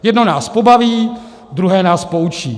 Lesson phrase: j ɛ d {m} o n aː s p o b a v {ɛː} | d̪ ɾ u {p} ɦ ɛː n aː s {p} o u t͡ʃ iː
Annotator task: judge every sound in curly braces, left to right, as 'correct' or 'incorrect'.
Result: incorrect: n, incorrect: iː, incorrect: none, correct

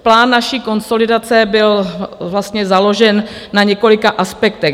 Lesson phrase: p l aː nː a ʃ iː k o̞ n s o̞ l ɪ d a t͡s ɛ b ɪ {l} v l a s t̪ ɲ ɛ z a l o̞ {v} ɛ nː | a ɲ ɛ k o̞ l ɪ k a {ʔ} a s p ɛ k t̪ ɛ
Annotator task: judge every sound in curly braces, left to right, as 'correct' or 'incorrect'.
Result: correct, incorrect: ʒ, correct

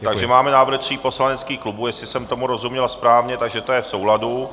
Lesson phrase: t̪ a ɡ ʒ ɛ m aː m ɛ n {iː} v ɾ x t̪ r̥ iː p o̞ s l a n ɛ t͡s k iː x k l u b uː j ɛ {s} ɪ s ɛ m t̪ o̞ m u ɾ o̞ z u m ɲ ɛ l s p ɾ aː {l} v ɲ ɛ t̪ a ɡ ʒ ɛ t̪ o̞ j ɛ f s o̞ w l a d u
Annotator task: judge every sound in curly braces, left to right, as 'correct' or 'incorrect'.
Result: incorrect: aː, correct, incorrect: none

